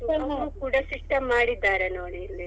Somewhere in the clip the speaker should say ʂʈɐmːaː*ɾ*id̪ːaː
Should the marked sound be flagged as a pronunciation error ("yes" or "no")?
yes